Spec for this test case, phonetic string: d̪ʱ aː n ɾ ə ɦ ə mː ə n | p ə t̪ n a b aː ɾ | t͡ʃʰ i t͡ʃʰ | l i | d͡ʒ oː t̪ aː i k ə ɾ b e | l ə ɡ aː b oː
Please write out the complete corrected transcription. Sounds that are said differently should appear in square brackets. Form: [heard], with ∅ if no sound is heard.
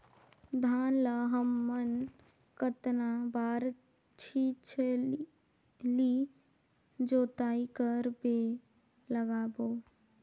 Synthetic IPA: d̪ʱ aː n [l] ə ɦ ə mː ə n | [k] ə t̪ n a b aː ɾ | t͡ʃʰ i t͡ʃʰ | l i | d͡ʒ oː t̪ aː i k ə ɾ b e | l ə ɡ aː b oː